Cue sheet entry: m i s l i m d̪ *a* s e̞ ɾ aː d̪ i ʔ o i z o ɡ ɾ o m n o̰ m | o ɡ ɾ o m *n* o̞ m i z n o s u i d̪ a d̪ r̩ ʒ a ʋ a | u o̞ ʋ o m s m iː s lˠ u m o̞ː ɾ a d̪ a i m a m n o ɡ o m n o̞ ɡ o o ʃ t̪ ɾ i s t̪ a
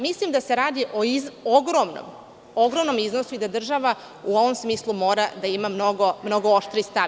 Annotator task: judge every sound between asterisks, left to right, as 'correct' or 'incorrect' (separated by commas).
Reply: correct, correct